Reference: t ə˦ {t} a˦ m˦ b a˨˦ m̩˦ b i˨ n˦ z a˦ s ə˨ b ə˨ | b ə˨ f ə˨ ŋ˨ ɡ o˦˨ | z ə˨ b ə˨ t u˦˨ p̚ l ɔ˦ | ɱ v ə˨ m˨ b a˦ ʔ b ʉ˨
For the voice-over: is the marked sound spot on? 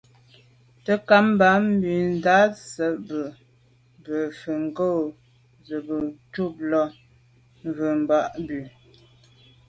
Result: no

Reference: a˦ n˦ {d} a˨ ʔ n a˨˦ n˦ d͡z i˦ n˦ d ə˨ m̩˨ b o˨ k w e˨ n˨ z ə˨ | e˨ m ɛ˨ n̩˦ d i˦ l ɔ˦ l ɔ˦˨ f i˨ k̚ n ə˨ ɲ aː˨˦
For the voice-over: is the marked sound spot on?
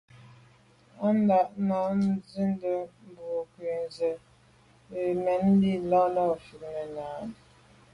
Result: yes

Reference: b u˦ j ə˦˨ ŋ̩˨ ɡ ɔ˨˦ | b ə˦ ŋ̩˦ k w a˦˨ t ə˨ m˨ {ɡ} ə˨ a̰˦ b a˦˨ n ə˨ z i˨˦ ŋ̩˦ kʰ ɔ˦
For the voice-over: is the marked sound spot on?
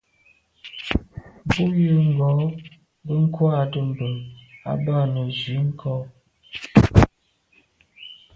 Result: no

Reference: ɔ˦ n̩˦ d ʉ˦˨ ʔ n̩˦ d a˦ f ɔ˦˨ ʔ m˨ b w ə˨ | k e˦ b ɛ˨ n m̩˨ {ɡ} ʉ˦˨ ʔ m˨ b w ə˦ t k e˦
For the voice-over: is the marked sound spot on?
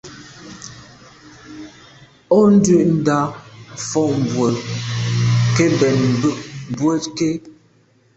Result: no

